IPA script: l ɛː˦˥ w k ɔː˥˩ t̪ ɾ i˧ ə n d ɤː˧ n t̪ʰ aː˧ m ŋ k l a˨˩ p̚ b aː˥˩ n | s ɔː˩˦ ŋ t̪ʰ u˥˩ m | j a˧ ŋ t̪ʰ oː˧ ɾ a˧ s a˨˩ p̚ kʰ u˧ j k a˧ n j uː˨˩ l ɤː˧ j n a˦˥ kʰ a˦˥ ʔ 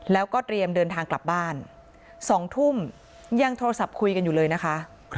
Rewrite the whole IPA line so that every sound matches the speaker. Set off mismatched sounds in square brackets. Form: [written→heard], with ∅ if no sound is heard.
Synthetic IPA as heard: l ɛː˦˥ w k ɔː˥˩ t̪ ɾ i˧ ə [n→m] d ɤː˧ n t̪ʰ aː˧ [m→∅] ŋ k l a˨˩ p̚ b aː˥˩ n | s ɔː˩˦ ŋ t̪ʰ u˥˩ m | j a˧ ŋ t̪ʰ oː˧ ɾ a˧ s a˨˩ p̚ kʰ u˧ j k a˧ n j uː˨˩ l ɤː˧ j n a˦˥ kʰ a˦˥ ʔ